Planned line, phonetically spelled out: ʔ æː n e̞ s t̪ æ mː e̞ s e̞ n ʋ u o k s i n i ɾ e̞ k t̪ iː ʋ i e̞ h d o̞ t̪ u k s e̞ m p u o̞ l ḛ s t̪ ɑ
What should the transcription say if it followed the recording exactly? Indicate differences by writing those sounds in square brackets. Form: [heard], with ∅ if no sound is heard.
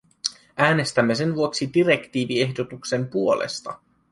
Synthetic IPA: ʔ æː n e̞ s t̪ æ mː e̞ s e̞ n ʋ u o k s i [d] i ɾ e̞ k t̪ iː ʋ i e̞ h d o̞ t̪ u k s e̞ m p u o̞ l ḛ s t̪ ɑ